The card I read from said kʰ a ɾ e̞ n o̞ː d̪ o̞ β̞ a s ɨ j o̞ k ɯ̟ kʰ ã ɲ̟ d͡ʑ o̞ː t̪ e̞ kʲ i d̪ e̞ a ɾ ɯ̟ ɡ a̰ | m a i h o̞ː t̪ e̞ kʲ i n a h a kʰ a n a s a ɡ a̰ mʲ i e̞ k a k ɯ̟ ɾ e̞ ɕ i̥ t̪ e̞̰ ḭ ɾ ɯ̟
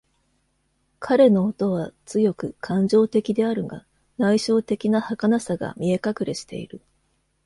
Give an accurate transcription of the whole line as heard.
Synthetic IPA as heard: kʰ a ɾ e̞ n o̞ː t̪ o̞ β̞ a t͡s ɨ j o̞ k ɯ̟ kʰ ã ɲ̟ d͡ʑ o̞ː t̪ e̞ kʲ i d̪ e̞ a ɾ ɯ̟ ɡ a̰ | n a i ɕ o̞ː t̪ e̞ kʲ i n a h a k a n a s a ɡ a̰ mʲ i e̞ k a k ɯ̟ ɾ e̞ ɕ i̥ t̪ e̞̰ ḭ ɾ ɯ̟